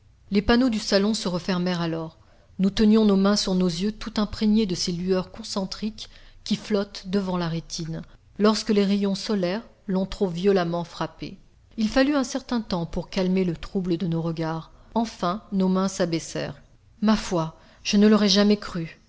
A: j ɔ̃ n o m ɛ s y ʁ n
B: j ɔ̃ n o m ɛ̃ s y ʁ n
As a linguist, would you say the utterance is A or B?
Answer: B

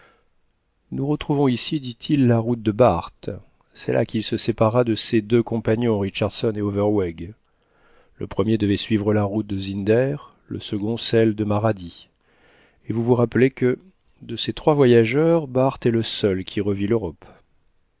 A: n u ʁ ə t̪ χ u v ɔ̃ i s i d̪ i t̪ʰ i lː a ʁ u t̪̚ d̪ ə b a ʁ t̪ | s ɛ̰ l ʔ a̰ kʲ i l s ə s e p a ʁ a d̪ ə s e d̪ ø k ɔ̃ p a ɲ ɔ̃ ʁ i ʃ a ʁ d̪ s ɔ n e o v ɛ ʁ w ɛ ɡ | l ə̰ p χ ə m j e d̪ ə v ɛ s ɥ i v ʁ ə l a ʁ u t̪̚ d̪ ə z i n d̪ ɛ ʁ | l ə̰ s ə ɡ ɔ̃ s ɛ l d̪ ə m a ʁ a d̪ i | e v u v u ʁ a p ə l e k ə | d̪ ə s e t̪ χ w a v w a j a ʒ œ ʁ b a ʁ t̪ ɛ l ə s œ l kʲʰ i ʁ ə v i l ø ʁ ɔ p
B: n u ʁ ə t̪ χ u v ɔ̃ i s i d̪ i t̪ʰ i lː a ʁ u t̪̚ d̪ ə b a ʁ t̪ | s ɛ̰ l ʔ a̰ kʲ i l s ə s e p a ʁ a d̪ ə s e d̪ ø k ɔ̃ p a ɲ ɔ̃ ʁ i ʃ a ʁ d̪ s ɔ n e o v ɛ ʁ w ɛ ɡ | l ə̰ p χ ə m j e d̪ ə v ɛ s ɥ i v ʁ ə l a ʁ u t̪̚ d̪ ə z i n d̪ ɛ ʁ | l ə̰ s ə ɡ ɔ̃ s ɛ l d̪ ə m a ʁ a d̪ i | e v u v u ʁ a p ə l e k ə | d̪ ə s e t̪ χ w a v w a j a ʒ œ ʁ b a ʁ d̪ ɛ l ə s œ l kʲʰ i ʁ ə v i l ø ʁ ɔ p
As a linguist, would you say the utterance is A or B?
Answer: A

